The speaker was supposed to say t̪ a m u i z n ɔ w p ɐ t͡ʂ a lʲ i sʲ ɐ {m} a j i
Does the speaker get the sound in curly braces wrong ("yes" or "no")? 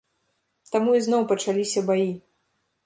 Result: yes